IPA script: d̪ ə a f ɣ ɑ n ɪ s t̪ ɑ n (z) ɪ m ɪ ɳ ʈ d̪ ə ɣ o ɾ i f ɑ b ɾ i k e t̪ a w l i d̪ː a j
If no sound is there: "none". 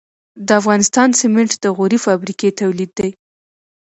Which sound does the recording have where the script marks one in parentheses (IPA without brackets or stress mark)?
s